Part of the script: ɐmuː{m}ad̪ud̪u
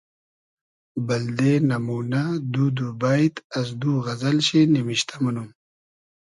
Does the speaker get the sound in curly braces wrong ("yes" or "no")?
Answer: yes